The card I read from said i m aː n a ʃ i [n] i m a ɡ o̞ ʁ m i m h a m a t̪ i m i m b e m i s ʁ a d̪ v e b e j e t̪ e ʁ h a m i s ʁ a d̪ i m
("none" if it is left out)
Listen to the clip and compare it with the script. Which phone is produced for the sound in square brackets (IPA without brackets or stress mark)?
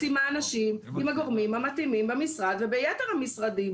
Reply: m